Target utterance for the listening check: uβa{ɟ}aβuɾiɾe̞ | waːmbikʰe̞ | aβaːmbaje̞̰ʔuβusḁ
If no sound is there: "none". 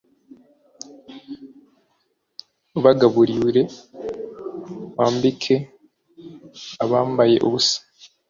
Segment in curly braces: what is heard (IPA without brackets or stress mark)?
ɡ